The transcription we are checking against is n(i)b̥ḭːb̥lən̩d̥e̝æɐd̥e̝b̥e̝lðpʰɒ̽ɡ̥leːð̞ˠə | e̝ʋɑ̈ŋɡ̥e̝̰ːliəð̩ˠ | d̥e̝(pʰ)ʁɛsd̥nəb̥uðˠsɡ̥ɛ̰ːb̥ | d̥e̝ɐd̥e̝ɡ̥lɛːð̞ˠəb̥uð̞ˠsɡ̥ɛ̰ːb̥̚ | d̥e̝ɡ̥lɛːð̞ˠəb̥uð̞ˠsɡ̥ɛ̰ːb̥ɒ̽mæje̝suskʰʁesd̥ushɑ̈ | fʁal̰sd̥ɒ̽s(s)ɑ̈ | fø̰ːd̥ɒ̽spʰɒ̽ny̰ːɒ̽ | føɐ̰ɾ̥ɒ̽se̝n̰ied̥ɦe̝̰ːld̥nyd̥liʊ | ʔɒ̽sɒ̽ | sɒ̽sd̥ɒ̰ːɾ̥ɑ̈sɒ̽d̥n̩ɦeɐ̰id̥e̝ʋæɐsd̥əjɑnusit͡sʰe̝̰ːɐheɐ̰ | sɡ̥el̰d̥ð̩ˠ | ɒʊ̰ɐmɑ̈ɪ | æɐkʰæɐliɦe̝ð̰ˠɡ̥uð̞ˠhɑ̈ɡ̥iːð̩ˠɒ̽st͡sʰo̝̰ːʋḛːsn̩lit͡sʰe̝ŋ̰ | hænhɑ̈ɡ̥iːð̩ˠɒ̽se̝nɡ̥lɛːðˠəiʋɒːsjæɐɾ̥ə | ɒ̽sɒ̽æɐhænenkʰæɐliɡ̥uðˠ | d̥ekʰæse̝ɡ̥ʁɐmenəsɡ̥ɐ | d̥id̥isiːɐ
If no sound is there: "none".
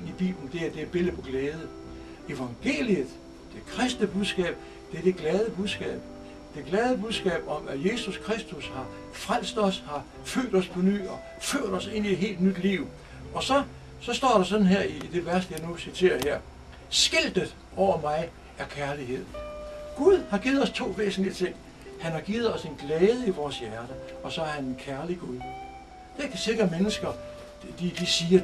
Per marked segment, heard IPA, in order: i, kʰ, h

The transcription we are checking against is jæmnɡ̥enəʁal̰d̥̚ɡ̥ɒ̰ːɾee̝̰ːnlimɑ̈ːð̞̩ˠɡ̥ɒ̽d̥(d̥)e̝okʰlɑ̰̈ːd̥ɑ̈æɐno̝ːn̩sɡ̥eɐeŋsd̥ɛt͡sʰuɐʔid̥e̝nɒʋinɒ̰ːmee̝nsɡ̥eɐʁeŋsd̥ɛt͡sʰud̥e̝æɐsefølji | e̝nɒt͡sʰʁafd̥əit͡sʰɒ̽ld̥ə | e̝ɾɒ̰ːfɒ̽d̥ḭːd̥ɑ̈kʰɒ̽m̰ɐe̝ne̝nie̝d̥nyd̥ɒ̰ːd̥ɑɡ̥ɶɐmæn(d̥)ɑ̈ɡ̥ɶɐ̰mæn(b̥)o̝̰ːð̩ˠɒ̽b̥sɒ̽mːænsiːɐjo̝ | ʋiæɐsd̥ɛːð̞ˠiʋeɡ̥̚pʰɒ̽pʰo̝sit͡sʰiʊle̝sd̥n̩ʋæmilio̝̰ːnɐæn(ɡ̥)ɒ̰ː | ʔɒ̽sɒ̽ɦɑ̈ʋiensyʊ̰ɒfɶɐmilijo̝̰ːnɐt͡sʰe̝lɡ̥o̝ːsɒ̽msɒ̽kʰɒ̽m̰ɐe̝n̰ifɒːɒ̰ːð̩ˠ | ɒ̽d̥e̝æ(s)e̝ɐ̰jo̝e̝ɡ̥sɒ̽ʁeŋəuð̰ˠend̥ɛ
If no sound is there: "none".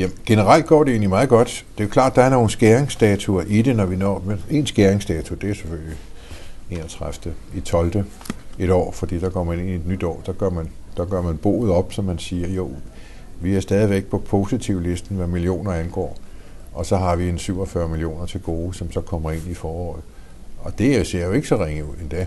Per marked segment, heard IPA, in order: d̥, d̥, b̥, ɡ̥, s

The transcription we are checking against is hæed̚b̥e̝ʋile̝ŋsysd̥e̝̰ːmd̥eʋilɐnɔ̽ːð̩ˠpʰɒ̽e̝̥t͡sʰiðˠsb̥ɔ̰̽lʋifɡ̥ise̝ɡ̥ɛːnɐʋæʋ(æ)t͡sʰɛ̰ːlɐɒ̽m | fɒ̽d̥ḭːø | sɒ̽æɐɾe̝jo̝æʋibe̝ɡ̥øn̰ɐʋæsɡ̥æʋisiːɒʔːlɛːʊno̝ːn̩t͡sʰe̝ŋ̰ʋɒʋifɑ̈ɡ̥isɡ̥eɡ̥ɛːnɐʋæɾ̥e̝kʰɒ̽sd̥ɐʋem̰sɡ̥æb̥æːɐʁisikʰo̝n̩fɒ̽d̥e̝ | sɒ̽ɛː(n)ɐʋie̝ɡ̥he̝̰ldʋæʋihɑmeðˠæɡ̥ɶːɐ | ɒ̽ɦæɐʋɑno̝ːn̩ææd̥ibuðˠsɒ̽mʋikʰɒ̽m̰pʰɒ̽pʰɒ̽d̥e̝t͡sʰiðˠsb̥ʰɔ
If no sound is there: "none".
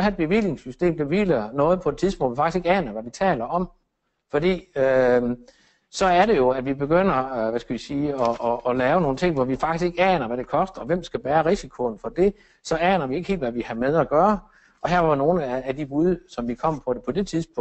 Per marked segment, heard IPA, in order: i, n

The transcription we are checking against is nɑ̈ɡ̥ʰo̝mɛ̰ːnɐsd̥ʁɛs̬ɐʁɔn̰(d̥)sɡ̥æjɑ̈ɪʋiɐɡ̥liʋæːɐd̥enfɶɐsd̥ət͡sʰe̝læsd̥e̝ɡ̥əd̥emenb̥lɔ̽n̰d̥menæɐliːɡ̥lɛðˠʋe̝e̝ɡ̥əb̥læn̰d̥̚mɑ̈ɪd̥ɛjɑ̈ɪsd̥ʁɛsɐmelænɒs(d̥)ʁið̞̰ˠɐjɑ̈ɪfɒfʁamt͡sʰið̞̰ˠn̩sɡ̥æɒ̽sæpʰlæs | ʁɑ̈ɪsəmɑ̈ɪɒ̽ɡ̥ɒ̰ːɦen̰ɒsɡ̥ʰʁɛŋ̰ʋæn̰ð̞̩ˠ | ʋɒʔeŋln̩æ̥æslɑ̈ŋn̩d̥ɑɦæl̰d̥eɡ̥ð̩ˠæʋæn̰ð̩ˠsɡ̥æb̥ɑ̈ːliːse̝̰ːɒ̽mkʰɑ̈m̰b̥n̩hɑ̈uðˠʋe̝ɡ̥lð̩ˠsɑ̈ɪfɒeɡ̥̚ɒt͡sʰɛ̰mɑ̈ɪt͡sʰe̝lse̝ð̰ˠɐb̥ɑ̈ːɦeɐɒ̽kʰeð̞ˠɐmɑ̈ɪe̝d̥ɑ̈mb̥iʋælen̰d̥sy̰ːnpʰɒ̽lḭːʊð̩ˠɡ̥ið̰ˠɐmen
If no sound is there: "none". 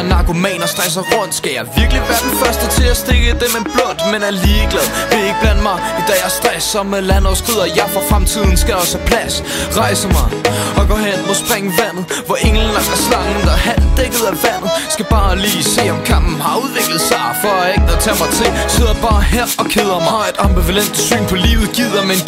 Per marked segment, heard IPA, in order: d̥, ɡ̥

